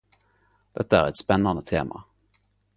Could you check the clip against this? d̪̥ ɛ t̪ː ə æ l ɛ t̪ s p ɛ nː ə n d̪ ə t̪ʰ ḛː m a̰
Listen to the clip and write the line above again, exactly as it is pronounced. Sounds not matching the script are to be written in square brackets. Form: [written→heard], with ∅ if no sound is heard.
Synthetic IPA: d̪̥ ɛ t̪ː [ə→a] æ [l→ɾ] ɛ t̪ s p ɛ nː [ə→a] n d̪ ə t̪ʰ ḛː m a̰

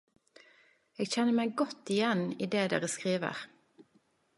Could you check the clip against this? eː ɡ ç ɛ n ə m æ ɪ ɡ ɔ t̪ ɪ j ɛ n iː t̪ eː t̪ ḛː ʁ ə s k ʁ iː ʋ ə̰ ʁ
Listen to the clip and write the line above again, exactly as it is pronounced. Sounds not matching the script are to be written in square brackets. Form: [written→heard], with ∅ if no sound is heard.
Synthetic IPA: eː ɡ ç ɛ n ə m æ ɪ ɡ ɔ t̪ ɪ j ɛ n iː [t̪→d̪] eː [t̪→d̪] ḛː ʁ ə s k ʁ iː ʋ ə̰ ʁ

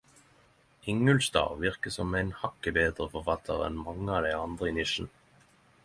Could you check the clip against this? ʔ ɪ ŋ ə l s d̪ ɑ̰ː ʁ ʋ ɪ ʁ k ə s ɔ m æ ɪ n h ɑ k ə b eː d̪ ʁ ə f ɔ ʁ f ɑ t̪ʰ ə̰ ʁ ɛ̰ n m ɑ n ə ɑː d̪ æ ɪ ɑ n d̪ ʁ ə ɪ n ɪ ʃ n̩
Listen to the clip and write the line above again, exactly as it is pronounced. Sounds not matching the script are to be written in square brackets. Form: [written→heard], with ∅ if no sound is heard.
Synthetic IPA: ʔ ɪ ŋ ə l s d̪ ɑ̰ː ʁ ʋ ɪ ʁ k ə s ɔ m æ ɪ n h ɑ k ə b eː d̪ ʁ ə f ɔ ʁ f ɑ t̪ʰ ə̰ ʁ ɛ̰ n m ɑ [n→ŋ] ə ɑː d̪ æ ɪ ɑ n d̪ ʁ ə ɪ n ɪ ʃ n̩

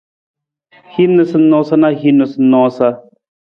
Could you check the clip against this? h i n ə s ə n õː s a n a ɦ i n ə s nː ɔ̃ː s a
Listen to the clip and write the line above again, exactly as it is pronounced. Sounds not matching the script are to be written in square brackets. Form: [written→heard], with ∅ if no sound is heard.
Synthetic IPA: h i n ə s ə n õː s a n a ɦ i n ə s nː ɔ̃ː s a

